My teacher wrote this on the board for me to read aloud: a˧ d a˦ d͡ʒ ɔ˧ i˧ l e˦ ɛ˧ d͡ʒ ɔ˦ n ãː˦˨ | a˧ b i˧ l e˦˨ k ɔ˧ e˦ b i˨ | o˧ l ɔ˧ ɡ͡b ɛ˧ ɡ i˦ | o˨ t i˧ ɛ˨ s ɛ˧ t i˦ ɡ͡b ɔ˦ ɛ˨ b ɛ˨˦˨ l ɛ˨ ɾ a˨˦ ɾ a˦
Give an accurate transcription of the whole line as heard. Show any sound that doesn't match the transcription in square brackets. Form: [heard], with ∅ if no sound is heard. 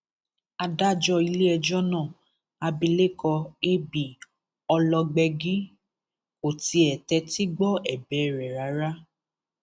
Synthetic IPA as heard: a˧ d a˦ d͡ʒ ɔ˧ i˧ l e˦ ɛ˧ d͡ʒ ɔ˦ n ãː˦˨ | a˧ b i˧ l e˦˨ k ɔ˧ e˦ b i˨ | [ɔ˧] l ɔ˧ ɡ͡b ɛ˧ ɡ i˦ | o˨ t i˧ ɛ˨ [t] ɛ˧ t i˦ ɡ͡b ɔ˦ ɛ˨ b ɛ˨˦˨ [ɾ] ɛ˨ ɾ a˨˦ ɾ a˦